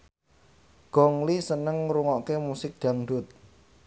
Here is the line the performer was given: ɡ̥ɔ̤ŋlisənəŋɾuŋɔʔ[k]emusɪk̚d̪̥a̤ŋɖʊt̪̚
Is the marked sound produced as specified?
yes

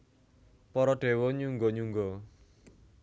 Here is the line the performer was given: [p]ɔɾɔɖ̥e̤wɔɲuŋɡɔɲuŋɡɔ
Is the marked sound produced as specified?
yes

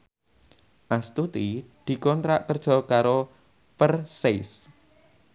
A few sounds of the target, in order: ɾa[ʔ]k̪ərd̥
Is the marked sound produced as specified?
yes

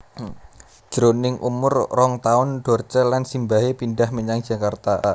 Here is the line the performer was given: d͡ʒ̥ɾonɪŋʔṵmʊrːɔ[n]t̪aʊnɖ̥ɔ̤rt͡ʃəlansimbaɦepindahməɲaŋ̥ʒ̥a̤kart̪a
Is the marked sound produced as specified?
no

